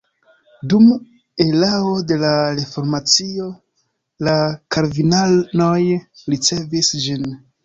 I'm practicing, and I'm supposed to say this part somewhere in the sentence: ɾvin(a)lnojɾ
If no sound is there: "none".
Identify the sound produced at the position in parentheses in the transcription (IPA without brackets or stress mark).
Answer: a